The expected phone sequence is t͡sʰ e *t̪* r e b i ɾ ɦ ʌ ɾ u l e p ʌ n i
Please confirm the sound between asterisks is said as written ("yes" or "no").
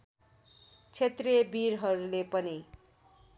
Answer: yes